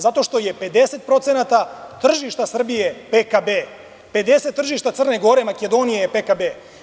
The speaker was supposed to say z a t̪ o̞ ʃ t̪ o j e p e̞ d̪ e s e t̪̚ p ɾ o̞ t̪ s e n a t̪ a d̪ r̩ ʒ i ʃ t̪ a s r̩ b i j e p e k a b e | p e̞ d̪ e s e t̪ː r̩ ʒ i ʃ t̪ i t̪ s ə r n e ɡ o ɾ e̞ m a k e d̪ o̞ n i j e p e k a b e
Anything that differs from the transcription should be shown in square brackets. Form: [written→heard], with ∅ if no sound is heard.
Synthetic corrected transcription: z a t̪ o̞ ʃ t̪ o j e p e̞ d̪ e s e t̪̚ p ɾ o̞ t̪ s e n a t̪ a [d̪→t̪] r̩ ʒ i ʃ t̪ a s r̩ b i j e p e k a b e | p e̞ d̪ e s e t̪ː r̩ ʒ i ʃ t̪ [i→a] t̪ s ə r n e ɡ o ɾ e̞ m a k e d̪ o̞ n i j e p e k a b e